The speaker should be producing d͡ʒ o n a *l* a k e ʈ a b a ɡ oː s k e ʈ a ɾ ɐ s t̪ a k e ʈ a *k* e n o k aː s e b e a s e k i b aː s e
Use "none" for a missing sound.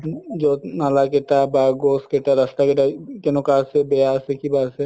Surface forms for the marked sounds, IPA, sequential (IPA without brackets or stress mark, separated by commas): l, k